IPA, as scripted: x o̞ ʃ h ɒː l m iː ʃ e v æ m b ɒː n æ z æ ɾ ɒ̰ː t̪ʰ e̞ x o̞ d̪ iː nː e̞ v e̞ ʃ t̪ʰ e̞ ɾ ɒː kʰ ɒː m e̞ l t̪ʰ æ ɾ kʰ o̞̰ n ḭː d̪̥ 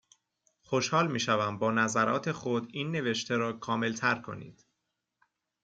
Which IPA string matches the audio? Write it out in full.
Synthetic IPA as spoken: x o̞ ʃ h ɒː l m iː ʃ æ v æ m b ɒː n æ z æ ɾ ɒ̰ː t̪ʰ e̞ x o̞ d̪ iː nː e̞ v e̞ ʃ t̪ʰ e̞ ɾ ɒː kʰ ɒː m e̞ l t̪ʰ æ ɾ kʰ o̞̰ n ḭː d̪̥